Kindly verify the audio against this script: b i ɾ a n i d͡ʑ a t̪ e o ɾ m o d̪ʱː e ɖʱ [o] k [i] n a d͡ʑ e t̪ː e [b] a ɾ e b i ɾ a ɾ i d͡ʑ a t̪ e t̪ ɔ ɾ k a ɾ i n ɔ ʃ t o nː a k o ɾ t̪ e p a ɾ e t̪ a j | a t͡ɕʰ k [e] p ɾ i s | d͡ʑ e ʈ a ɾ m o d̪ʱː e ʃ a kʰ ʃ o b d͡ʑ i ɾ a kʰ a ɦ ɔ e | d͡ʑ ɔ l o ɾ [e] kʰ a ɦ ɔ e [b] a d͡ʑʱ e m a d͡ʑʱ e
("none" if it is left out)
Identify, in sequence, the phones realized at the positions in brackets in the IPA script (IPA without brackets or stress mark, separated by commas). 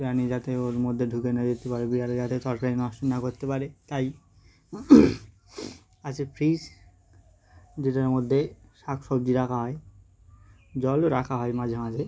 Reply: u, e, p, e, a, m